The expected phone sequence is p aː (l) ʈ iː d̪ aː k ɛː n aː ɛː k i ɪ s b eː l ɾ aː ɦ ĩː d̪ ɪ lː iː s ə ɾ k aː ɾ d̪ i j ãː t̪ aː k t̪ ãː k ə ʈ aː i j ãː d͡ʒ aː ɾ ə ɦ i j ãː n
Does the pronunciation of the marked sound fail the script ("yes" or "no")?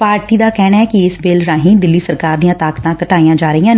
yes